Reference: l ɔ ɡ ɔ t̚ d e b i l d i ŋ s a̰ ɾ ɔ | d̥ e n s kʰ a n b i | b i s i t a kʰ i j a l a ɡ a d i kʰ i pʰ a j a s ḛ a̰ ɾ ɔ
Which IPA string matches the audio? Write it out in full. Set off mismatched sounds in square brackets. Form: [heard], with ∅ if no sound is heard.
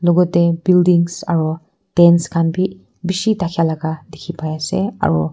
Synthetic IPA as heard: l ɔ ɡ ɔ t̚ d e b i l d i ŋ s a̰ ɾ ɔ | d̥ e n s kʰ a n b i | b i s i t a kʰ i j a l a ɡ a d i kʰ i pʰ a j a s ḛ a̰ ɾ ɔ